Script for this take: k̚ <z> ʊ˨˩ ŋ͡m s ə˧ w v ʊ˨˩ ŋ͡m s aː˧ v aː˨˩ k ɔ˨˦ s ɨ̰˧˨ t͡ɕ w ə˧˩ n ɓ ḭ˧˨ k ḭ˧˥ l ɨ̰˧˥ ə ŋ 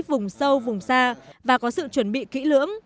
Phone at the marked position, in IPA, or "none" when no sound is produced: v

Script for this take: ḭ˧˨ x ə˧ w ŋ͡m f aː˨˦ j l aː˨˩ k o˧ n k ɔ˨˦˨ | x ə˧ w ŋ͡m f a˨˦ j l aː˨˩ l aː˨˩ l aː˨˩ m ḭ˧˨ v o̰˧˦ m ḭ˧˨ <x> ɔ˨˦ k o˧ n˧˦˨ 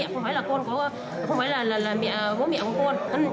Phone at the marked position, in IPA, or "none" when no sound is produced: k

